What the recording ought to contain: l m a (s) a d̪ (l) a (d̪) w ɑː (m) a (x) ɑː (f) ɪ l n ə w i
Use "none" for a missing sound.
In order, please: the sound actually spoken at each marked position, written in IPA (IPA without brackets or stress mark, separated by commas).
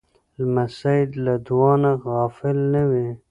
s, l, d̪, n, ɣ, f